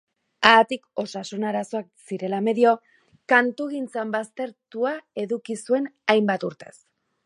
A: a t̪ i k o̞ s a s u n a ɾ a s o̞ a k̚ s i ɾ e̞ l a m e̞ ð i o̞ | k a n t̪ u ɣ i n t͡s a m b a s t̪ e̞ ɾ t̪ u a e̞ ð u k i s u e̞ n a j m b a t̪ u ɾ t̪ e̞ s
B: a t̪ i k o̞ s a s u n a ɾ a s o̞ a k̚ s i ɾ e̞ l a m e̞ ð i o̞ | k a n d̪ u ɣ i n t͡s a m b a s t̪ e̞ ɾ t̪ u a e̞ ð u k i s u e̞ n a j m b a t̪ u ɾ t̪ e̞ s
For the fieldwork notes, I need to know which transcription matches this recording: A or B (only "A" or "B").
A